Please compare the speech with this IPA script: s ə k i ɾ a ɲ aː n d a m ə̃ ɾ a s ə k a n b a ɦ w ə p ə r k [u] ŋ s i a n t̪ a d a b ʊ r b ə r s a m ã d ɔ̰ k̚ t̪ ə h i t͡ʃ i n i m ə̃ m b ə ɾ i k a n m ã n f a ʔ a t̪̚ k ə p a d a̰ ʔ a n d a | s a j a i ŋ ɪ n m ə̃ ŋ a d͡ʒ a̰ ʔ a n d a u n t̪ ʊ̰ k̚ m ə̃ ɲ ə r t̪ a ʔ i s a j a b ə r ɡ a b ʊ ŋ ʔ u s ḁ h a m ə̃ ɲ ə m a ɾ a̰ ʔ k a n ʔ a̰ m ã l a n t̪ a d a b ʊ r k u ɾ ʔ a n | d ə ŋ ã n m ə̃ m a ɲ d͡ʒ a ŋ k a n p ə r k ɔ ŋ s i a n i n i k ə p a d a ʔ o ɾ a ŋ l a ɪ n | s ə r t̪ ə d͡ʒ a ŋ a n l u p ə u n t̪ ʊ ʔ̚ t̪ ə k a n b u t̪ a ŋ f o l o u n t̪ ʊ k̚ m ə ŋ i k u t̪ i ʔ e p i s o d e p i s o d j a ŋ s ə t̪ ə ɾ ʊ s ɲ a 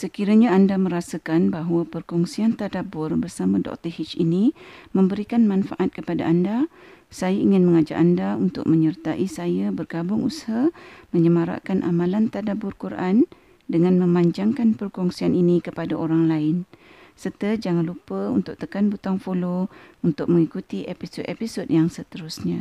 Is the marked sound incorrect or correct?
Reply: incorrect